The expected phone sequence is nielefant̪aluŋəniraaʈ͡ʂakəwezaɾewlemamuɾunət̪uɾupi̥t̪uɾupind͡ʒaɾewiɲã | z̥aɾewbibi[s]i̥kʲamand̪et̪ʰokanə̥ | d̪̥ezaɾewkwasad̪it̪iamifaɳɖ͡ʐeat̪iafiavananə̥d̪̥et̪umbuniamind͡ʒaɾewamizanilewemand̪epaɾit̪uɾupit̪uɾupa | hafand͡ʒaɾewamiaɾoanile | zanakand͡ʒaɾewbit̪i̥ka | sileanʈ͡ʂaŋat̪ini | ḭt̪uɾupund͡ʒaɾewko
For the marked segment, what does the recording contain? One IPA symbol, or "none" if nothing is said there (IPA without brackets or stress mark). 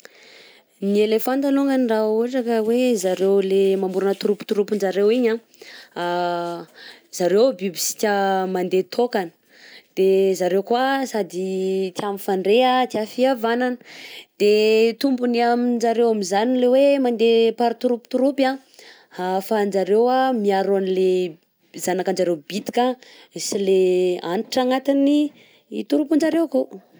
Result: s